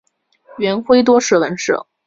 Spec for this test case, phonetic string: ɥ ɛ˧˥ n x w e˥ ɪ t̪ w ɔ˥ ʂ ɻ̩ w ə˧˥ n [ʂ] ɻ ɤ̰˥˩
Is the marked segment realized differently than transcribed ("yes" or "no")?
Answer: no